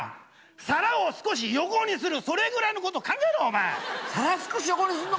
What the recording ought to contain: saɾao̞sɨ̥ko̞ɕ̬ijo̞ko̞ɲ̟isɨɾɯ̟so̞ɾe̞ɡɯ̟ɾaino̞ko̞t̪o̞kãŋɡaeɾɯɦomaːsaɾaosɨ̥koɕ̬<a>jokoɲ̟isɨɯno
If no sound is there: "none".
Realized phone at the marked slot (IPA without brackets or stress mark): i